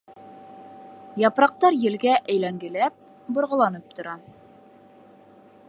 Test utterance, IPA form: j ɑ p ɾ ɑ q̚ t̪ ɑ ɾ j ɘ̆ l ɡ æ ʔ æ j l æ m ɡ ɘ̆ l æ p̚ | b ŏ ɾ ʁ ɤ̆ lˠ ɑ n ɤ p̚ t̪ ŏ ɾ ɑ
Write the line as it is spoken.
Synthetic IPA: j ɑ p ɾ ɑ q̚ t̪ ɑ ɾ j ɘ̆ l ɡ æ ʔ æ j l æ ŋ ɡ ɘ̆ l æ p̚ | b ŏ ɾ ʁ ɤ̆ lˠ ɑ n ɤ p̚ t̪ ŏ ɾ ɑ